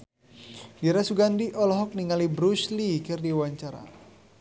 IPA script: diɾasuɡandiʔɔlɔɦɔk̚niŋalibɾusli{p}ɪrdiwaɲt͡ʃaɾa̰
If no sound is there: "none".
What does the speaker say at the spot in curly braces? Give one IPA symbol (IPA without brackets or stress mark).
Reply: k